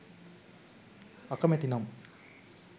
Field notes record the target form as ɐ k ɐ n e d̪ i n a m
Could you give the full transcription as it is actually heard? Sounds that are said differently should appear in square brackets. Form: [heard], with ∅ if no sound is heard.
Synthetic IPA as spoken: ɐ k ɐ [m] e [t̪] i n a m